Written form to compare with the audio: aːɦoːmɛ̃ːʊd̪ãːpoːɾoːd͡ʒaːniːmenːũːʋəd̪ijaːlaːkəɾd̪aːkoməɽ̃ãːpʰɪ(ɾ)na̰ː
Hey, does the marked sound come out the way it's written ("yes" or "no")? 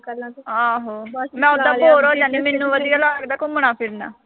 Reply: yes